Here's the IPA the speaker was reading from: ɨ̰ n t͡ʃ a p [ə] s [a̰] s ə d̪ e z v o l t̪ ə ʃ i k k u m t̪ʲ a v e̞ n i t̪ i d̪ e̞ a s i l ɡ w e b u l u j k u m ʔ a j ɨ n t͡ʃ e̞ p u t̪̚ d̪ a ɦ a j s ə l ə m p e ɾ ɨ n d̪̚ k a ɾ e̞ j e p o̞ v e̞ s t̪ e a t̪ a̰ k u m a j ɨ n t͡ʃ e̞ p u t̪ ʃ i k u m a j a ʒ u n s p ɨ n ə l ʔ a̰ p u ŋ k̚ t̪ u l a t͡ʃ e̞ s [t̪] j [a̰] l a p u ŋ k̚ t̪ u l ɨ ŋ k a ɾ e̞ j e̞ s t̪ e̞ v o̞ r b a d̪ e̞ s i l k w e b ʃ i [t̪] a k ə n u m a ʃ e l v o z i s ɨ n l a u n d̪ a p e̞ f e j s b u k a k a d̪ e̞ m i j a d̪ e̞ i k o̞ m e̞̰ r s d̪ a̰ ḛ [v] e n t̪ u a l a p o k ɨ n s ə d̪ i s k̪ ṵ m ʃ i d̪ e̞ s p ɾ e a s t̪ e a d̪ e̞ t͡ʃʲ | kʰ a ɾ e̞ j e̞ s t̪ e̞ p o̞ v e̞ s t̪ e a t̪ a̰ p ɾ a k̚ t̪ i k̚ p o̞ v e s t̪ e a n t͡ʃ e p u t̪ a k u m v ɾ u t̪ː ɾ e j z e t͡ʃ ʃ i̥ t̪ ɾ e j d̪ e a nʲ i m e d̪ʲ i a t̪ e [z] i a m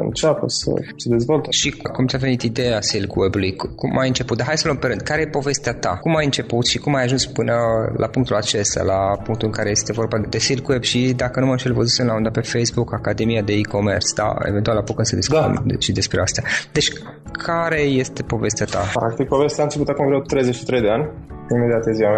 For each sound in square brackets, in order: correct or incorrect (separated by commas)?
correct, incorrect, correct, correct, incorrect, correct, correct